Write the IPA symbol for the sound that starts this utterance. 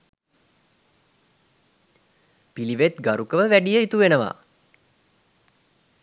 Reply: p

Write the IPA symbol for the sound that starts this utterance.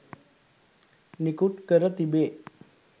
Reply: n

